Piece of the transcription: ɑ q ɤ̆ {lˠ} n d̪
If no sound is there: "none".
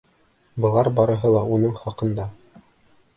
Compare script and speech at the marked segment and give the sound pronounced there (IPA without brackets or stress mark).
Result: none